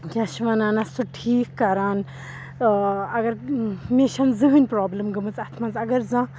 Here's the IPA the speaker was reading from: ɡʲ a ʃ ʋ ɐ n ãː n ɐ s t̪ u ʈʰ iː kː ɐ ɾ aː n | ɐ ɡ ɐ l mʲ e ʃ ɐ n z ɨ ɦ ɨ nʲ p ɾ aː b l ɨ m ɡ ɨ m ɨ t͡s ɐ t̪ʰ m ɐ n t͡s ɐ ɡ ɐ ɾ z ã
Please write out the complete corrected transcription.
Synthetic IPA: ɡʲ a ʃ ʋ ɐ n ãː n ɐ s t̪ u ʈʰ iː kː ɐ ɾ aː n | ɐ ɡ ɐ ɾ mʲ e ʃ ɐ n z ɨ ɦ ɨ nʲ p ɾ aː b l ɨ m ɡ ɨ m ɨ t͡s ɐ t̪ʰ m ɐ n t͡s ɐ ɡ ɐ ɾ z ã

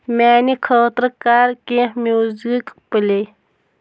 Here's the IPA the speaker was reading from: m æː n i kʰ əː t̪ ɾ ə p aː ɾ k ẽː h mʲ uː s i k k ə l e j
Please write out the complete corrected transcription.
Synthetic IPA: m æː n i kʰ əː t̪ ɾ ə k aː ɾ k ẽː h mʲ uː z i k p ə l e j

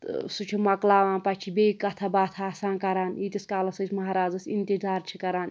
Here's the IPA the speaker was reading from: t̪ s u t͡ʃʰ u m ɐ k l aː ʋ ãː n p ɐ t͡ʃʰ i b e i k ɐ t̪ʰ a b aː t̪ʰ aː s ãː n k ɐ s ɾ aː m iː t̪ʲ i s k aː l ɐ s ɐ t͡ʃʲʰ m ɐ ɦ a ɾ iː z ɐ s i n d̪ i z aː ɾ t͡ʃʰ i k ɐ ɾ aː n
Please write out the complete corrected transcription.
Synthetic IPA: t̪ s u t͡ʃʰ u m ɐ k l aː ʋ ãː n p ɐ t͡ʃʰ i b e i k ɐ t̪ʰ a b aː t̪ʰ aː s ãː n k ɐ ɾ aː n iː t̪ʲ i s k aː l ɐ s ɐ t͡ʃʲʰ m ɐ ɦ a ɾ aː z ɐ s i n t̪ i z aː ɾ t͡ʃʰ i k ɐ ɾ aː n

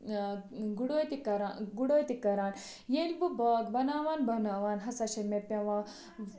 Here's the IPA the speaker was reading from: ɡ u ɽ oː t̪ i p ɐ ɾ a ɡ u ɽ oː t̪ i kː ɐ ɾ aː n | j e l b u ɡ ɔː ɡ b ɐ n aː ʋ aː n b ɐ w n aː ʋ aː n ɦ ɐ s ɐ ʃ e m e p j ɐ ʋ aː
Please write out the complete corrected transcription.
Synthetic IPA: ɡ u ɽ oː t̪ i k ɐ ɾ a ɡ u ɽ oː t̪ i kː ɐ ɾ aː n | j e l b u b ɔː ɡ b ɐ n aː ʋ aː n b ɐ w n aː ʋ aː n ɦ ɐ s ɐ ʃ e m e p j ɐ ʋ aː

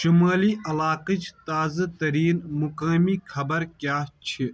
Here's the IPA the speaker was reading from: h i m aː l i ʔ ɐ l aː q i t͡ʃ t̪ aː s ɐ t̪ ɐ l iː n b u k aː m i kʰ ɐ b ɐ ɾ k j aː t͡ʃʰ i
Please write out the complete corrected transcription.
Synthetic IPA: ʃ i m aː l i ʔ ɐ l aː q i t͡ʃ t̪ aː z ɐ t̪ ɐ ɾ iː n m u k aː m i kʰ ɐ b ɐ ɾ k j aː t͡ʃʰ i

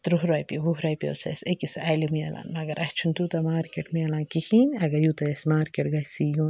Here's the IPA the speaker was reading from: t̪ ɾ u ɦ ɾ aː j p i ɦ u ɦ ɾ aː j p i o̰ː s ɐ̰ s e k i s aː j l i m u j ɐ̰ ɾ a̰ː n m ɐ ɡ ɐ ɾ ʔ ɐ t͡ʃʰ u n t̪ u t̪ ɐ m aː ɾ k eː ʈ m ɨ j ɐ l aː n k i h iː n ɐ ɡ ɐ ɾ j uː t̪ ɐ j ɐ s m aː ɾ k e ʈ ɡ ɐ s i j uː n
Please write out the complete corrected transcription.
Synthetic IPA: t̪ ɾ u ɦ ɾ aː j p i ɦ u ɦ ɾ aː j p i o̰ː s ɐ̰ s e k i s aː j l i m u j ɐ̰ l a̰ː n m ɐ ɡ ɐ ɾ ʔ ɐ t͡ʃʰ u n t̪ u t̪ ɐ m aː ɾ k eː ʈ m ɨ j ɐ l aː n k i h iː n ɐ ɡ ɐ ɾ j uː t̪ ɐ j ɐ s m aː ɾ k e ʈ ɡ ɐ s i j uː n

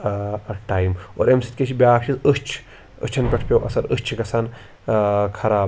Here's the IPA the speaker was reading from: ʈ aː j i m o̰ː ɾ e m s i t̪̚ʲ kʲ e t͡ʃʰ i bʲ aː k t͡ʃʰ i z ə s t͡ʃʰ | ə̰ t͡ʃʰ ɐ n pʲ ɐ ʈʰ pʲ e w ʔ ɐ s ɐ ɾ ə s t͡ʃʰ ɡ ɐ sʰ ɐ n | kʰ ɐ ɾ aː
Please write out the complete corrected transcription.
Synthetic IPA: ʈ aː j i m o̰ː ɾ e m s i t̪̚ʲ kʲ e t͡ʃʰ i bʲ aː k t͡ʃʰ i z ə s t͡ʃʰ | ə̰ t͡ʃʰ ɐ n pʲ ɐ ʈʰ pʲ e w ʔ ɐ s ɐ ɾ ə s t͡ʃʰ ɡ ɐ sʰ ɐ n | kʰ ɐ ɾ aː

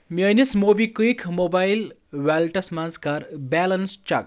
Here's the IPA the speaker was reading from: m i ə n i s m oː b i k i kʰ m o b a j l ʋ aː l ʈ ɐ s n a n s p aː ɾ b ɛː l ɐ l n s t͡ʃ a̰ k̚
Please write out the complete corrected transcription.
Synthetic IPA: m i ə n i s m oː b i k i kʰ m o b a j l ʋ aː l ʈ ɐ s m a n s k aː ɾ b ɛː l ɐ n s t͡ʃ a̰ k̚

